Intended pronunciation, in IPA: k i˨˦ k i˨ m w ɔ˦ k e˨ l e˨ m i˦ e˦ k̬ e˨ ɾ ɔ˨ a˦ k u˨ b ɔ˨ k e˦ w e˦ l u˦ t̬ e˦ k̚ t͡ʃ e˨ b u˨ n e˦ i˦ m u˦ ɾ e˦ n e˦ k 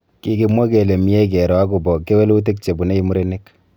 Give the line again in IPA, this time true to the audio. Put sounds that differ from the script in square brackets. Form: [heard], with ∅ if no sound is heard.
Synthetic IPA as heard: k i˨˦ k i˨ m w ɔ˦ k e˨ l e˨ m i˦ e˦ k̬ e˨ ɾ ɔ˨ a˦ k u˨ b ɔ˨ k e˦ w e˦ l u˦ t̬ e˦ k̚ t͡ʃ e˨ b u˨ n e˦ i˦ m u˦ ɾ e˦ n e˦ k